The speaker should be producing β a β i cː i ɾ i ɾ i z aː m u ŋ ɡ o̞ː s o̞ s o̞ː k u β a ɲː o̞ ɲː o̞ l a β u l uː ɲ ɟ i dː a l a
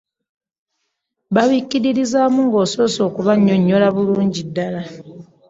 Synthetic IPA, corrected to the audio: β a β i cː i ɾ i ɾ i z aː m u ŋ ɡ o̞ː s o̞ s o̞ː k u β a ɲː o̞ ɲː o̞ l a β u l uː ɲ ɟ i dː a l a